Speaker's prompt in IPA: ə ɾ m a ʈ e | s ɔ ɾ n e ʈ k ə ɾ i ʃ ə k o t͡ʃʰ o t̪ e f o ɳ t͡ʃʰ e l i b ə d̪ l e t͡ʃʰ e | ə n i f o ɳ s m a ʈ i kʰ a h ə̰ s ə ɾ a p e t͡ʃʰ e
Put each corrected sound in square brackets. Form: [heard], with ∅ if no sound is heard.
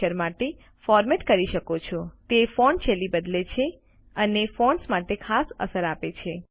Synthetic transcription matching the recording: ə ɾ m a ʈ e | [f] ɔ ɾ [m] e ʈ k ə ɾ i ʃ ə k o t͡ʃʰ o t̪ e f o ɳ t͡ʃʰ e l i b ə d̪ l e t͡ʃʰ e | ə n [e] f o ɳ s m a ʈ [e] kʰ a [s] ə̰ s ə ɾ a p e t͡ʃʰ e